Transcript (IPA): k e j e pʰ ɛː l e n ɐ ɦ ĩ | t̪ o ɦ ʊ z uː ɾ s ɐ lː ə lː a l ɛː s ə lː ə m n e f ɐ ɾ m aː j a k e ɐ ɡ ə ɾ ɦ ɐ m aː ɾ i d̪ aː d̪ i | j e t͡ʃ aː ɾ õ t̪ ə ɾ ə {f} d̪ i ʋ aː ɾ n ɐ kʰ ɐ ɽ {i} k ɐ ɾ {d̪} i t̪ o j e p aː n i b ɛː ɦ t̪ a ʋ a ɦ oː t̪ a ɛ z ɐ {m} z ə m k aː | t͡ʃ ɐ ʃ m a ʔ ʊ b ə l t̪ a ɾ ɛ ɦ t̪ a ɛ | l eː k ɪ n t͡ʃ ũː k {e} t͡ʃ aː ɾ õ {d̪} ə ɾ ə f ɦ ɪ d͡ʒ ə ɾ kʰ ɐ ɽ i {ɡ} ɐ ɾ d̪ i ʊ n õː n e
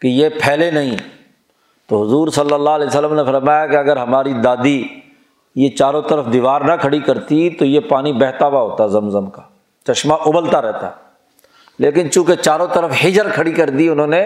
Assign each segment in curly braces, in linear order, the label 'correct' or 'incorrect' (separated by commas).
correct, correct, incorrect, correct, correct, incorrect, incorrect